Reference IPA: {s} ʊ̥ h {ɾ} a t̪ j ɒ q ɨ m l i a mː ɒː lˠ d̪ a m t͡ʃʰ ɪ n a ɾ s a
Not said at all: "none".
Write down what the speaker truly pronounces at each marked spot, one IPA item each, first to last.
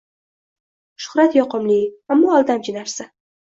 ʃ, ɾ

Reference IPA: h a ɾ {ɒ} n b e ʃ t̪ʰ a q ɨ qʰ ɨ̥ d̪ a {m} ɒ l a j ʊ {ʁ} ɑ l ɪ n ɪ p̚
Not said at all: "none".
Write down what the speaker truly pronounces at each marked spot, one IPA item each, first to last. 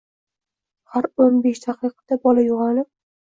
o, b, ʁ

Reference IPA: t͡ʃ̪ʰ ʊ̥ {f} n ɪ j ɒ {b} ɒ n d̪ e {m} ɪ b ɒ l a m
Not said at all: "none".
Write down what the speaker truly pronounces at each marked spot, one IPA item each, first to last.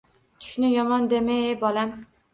ʃ, m, m

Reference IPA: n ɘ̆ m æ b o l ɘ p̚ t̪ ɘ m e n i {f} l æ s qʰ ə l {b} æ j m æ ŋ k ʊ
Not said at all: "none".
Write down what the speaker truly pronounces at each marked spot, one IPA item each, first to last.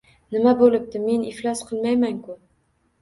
f, m

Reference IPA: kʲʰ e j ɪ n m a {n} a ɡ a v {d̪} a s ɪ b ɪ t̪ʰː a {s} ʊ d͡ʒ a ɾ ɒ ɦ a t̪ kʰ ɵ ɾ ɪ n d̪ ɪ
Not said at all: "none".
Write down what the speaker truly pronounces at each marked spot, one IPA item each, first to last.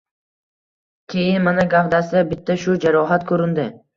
n, d̪, ʃ

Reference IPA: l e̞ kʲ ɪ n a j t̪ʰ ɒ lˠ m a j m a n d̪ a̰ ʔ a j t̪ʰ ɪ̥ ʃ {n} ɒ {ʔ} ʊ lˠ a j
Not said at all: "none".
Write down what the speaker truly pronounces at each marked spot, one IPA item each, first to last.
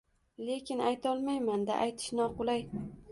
n, q

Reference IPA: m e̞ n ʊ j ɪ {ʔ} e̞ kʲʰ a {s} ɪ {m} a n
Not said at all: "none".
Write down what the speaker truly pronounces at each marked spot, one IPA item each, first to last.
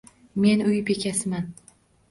p, s, m

